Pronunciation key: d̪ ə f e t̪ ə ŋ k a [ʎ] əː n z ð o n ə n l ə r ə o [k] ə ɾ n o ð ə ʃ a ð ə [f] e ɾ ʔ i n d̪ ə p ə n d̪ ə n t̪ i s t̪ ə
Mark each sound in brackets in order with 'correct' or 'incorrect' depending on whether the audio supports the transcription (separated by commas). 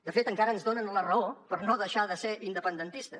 incorrect, incorrect, incorrect